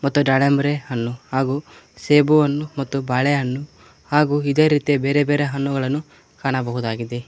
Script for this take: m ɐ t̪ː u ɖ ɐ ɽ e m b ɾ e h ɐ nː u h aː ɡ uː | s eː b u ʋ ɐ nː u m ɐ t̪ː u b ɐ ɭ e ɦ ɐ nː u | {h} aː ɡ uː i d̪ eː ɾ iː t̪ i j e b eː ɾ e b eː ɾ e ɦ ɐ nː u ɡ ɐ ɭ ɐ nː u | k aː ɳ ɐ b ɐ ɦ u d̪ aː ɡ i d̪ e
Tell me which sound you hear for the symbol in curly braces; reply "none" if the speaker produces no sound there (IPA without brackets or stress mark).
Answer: h